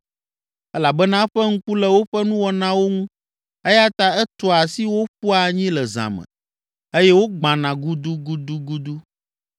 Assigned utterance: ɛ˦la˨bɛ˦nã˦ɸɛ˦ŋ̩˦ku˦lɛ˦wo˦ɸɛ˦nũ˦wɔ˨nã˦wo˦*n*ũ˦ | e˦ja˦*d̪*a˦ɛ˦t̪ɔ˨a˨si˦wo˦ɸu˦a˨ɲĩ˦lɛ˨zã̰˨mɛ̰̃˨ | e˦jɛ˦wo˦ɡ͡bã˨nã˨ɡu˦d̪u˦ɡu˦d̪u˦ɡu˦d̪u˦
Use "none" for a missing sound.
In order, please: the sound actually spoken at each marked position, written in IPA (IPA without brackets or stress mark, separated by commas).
ŋ, t̪